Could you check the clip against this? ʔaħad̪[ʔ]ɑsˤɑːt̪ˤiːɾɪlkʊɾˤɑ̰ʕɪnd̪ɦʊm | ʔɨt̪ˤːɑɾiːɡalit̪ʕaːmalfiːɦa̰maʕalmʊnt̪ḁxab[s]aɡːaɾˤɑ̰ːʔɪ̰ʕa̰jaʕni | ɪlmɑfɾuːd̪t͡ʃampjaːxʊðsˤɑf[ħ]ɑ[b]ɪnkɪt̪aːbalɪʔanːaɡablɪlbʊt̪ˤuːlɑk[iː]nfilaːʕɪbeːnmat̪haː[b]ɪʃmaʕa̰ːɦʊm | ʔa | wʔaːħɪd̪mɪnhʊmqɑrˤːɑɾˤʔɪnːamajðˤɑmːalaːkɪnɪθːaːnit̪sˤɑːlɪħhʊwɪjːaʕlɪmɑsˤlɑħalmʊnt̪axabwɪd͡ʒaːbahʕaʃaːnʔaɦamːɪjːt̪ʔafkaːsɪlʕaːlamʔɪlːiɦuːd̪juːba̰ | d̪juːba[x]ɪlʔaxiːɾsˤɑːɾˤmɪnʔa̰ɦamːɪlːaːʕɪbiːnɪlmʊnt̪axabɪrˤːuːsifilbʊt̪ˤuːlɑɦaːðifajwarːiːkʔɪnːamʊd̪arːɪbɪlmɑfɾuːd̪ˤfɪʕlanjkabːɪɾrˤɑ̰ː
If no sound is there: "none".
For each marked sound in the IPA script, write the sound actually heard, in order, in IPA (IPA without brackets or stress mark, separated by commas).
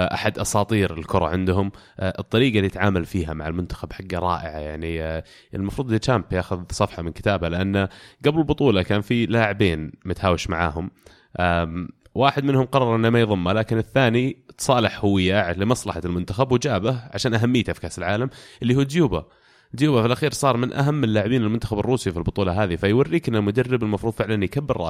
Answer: ʔ, ħ, ħ, m, aː, w, f